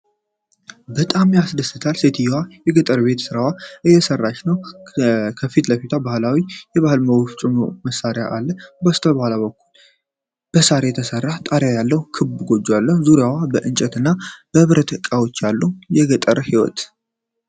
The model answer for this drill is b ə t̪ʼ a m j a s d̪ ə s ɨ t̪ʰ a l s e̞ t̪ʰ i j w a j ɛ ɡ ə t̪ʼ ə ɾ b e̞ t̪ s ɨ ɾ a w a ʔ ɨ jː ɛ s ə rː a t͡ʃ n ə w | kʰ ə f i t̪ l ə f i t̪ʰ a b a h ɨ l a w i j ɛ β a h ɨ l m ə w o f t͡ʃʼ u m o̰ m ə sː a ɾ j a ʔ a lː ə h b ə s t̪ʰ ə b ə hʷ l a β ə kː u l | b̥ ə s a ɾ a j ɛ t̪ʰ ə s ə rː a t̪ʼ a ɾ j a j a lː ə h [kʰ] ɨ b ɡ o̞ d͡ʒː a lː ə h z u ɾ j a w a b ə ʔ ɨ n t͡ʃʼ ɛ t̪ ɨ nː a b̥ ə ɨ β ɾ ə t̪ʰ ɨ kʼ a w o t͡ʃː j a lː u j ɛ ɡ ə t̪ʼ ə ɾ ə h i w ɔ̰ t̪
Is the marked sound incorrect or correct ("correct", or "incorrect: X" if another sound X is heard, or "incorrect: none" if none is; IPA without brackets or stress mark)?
correct